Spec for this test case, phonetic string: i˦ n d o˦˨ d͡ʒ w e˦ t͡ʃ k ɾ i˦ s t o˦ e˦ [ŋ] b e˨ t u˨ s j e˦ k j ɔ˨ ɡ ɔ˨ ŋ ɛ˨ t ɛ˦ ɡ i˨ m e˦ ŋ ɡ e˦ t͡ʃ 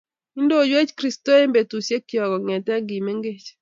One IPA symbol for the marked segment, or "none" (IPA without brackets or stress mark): m